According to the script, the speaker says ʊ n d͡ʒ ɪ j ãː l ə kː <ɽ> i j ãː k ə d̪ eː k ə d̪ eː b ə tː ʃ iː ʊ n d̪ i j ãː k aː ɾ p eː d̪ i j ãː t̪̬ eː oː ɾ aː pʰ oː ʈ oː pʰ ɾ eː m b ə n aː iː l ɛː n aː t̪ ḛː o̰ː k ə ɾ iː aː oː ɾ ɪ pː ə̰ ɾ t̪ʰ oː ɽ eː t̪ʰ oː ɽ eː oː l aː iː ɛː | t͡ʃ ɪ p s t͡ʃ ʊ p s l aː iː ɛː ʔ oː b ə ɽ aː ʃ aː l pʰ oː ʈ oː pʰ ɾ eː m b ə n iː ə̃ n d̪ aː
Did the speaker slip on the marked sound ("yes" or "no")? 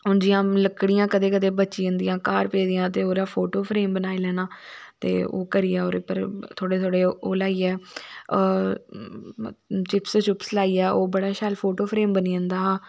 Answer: no